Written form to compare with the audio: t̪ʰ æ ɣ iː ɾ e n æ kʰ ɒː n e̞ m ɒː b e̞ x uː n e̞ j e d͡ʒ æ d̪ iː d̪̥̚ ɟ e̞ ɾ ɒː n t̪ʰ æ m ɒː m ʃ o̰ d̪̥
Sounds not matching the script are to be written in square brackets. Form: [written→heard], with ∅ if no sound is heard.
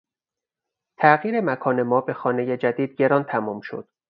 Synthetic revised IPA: t̪ʰ æ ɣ iː ɾ e [n→m] æ kʰ ɒː n e̞ m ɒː b e̞ x [uː→ɒː] n e̞ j e d͡ʒ æ d̪ iː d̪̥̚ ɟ e̞ ɾ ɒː n t̪ʰ æ m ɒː m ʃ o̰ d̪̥